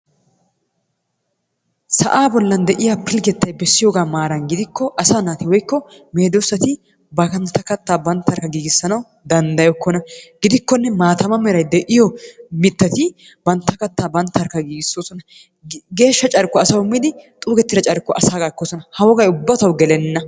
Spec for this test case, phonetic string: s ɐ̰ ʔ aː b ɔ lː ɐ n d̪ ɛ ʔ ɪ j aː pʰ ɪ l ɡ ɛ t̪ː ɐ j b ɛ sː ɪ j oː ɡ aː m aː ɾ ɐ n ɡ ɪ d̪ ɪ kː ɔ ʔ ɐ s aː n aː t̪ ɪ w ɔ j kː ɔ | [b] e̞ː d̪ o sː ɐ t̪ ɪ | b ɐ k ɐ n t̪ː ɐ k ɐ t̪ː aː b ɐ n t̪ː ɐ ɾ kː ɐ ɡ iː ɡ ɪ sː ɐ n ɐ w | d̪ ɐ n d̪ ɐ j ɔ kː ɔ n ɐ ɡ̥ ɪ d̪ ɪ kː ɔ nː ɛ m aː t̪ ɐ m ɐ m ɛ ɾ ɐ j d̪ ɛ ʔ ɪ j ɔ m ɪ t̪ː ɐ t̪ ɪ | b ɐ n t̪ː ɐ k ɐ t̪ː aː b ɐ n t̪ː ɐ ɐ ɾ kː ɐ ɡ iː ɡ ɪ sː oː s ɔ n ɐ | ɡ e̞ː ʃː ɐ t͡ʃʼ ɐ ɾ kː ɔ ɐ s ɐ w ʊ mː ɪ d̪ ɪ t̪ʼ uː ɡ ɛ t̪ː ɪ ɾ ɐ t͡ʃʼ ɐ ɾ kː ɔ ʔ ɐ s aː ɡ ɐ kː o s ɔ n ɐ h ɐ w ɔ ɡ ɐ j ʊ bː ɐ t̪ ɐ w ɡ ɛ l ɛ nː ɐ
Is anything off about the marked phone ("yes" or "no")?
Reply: yes